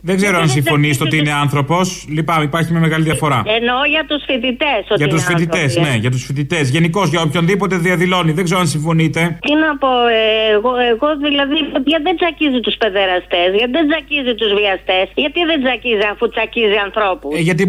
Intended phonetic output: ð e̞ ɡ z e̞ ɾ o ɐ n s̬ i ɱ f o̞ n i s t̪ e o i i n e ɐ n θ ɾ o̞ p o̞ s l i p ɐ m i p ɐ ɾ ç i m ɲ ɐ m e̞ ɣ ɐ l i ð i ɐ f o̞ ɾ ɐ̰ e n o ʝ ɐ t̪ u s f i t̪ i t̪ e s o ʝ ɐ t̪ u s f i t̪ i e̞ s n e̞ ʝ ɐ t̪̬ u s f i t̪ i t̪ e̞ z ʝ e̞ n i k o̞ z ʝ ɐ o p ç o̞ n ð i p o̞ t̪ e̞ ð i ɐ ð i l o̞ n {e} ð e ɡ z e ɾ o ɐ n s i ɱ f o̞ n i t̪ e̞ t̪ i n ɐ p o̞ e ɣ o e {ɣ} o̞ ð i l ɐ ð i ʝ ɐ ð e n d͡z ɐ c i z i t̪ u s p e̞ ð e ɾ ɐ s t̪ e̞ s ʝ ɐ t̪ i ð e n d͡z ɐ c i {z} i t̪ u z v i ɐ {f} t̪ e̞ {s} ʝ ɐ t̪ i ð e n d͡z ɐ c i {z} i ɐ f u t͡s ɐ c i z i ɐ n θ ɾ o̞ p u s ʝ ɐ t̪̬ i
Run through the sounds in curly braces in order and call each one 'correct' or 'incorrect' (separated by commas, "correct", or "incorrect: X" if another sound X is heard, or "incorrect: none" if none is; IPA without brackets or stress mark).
incorrect: i, correct, correct, incorrect: s, correct, correct